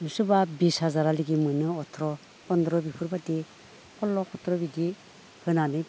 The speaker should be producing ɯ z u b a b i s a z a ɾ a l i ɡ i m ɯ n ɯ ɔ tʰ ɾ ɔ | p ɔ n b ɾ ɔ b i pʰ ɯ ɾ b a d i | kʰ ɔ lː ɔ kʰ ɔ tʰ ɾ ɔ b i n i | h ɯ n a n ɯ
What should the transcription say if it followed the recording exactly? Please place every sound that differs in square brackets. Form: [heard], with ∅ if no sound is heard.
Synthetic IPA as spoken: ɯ [s] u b a b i s a z a ɾ a l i ɡ i m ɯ n ɯ ɔ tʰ ɾ ɔ | p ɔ n [d] ɾ ɔ b i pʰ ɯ ɾ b a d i | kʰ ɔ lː ɔ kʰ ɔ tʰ ɾ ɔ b i [d] i | h ɯ n a n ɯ